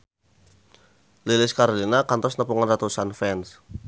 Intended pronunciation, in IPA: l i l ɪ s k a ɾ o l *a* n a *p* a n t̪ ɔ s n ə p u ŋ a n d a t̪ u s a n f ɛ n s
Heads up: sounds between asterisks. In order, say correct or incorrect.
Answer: incorrect: i, incorrect: k

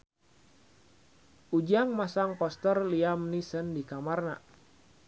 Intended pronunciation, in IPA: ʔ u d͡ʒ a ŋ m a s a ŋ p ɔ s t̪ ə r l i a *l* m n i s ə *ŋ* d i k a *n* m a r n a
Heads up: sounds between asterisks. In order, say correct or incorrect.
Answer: incorrect: none, incorrect: n, incorrect: none

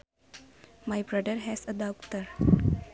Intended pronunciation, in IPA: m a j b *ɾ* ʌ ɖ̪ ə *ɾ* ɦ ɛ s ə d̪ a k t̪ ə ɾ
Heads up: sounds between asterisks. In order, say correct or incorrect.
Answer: correct, correct

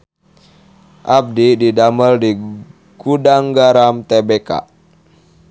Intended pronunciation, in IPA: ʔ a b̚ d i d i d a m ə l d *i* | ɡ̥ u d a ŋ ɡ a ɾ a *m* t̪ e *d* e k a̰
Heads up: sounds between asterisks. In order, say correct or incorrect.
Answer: correct, correct, incorrect: b

